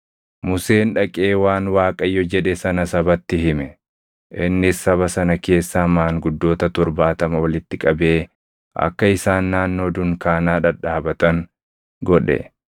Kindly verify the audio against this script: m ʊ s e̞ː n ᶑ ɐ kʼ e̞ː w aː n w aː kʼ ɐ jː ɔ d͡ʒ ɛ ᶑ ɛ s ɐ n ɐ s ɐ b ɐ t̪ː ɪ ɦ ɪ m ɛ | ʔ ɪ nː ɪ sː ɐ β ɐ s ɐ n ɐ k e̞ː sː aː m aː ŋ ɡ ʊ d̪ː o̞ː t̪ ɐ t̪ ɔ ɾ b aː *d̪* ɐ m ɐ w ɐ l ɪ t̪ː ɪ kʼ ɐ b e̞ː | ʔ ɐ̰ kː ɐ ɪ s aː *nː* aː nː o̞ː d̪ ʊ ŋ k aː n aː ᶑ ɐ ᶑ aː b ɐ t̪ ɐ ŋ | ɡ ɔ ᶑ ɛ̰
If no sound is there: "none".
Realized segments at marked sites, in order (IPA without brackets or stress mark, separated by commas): t̪, nː